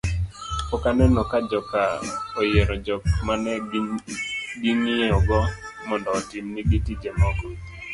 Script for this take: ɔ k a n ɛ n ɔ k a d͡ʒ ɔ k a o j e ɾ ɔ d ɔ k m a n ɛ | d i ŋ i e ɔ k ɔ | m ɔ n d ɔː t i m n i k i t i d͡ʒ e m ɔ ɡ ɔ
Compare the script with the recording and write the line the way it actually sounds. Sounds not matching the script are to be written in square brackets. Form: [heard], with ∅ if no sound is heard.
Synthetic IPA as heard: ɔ k a n ɛ n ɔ k a d͡ʒ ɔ k a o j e ɾ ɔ [d͡ʒ] ɔ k m a n ɛ | [ɡ] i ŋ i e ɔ [ɡ] ɔ | m ɔ n d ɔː t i m n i [ɡ] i t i d͡ʒ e m ɔ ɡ ɔ